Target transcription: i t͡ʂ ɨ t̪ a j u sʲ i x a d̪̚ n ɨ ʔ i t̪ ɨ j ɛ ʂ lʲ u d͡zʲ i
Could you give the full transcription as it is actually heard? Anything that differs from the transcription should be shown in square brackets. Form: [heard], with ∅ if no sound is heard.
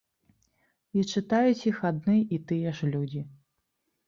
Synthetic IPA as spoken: i t͡ʂ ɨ t̪ a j u [t͡sʲ] i x a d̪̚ n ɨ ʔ i t̪ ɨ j ɛ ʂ lʲ u d͡zʲ i

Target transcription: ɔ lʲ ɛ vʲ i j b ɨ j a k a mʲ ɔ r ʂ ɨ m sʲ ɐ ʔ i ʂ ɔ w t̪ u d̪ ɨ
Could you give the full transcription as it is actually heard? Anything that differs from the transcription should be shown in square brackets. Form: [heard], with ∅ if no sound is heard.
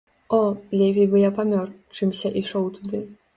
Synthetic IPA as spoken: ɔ lʲ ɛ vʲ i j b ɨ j a [p] a mʲ ɔ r [t͡ʂ] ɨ m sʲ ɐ ʔ i ʂ ɔ w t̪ u d̪ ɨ

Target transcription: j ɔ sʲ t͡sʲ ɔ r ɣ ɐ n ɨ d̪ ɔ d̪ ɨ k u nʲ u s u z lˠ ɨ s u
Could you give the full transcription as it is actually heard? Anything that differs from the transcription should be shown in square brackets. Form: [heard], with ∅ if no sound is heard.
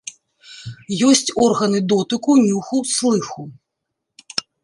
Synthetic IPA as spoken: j ɔ sʲ t͡sʲ ɔ r ɣ ɐ n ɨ d̪ ɔ [t̪] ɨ k u nʲ u [x] u [s] lˠ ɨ [x] u

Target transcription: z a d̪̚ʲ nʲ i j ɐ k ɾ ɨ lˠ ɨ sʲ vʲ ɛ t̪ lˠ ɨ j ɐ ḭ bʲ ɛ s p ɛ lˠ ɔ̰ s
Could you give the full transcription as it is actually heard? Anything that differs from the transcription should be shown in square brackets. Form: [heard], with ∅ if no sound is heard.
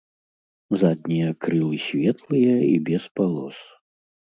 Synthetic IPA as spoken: z a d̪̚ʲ nʲ i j ɐ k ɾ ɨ lˠ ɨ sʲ vʲ ɛ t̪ lˠ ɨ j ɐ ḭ bʲ ɛ s p [a] lˠ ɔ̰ s

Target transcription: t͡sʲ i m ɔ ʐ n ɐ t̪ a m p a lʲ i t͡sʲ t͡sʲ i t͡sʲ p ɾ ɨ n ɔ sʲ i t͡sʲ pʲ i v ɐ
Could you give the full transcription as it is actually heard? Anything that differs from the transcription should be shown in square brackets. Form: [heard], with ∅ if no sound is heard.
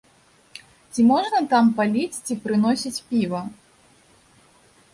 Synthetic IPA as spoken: t͡sʲ i m ɔ ʐ n ɐ t̪ a m p a lʲ i t͡sʲ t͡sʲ i [∅] p ɾ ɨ n ɔ sʲ i t͡sʲ pʲ i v ɐ

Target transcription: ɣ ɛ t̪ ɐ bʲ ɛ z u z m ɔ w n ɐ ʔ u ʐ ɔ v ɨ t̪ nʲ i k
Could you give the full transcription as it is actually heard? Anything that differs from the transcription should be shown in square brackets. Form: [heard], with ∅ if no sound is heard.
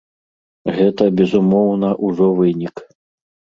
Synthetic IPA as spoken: ɣ ɛ t̪ ɐ bʲ ɛ z u [∅] m ɔ w n ɐ ʔ u ʐ ɔ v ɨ [∅] nʲ i k

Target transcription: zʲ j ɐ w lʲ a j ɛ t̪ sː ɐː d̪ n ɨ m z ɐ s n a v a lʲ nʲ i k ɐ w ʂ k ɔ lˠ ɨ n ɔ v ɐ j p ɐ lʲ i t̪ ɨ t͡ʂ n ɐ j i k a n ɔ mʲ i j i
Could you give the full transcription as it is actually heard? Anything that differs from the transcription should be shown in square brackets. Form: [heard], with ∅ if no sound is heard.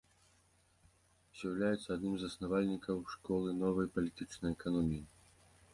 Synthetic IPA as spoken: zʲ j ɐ w lʲ a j ɛ t̪ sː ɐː d̪ n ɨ m z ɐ s n a v a lʲ nʲ i k ɐ w ʂ k ɔ lˠ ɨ n ɔ v ɐ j p ɐ lʲ i t̪ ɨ t͡ʂ n ɐ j [ɛ] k a n ɔ mʲ i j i

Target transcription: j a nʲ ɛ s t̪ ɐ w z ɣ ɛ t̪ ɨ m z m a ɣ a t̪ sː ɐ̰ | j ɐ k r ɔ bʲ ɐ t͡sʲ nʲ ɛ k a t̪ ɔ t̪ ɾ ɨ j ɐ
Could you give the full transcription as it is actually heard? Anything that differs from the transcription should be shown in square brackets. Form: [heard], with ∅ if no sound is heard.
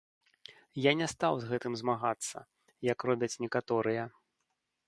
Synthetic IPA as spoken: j a nʲ ɛ s t̪ [a] w z ɣ ɛ t̪ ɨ m z m a ɣ a t̪ sː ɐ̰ | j ɐ k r ɔ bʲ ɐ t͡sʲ nʲ ɛ k a t̪ ɔ [∅] ɾ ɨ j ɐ

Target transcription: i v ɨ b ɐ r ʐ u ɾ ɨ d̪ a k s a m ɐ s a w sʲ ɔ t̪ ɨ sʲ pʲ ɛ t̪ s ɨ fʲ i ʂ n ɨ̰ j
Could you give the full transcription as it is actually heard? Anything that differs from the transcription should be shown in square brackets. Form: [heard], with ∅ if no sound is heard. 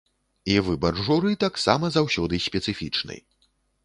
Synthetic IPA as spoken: i v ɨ b ɐ r ʐ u ɾ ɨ [t̪] a k s a m ɐ [z] a w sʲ ɔ [d̪] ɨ sʲ pʲ ɛ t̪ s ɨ fʲ i [t͡ʂ] n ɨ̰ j

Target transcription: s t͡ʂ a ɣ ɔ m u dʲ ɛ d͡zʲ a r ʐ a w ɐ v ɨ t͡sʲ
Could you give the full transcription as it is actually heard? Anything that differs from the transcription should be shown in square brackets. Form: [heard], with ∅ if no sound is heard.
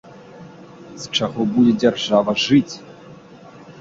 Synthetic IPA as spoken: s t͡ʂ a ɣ ɔ [b] u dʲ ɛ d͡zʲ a r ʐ a [v] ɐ [ʐ] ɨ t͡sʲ

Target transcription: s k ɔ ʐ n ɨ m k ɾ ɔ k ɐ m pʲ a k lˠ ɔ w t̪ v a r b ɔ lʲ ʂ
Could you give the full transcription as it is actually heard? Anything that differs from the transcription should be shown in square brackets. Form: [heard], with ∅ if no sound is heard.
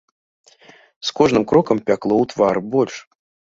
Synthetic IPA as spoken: s k ɔ ʐ n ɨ m k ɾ ɔ k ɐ m pʲ a k lˠ ɔ w t̪ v a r b ɔ lʲ ʂ

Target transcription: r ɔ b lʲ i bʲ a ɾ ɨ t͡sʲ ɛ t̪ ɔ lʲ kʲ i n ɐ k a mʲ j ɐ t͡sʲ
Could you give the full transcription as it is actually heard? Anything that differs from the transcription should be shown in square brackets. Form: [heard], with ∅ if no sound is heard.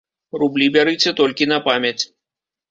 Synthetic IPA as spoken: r [u] b lʲ i bʲ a ɾ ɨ t͡sʲ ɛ t̪ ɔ lʲ kʲ i n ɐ [p] a mʲ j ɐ t͡sʲ

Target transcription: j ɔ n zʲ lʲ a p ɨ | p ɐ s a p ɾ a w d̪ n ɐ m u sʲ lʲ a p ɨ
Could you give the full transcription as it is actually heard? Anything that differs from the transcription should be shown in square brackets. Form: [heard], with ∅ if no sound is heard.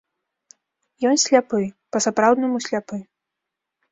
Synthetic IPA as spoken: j ɔ n [sʲ] lʲ a p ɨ | p ɐ s a p ɾ a w d̪ n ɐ m u sʲ lʲ a p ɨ

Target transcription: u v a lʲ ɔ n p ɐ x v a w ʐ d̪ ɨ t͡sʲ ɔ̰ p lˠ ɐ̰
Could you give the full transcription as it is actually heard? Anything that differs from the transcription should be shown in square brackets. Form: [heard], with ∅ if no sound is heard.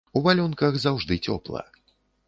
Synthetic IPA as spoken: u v a lʲ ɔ n [k] ɐ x [z] a w ʐ d̪ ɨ t͡sʲ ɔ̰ p lˠ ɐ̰

